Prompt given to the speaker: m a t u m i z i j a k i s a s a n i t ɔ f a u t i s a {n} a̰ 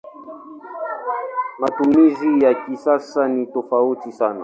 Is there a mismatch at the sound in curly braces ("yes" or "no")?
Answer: no